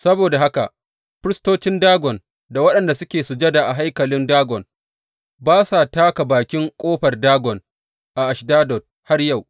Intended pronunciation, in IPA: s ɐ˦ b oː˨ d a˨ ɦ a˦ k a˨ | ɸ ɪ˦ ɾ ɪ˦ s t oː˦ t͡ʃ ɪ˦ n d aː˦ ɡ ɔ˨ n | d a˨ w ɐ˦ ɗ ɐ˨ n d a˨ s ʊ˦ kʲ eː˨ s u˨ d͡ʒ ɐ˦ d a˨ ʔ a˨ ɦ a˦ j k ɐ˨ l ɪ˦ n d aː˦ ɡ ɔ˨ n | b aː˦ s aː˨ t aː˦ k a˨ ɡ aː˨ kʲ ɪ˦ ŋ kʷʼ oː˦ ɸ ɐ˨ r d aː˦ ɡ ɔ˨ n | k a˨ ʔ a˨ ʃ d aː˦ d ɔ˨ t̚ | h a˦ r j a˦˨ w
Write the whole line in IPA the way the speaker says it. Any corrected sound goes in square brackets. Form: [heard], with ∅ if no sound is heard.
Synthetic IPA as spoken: s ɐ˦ b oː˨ d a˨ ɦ a˦ k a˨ | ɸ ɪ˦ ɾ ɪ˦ s t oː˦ t͡ʃ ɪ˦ n d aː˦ ɡ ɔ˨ n | d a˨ w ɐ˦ ɗ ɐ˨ n d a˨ s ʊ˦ kʲ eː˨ s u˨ d͡ʒ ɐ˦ d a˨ ʔ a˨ ɦ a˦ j k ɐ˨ l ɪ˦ n d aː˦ ɡ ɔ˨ n | b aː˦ s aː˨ t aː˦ k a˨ [b] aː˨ kʲ ɪ˦ ŋ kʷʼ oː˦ ɸ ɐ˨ r d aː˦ ɡ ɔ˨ n | [ʔ] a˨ ʔ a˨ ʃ d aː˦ d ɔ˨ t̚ | h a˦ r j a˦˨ w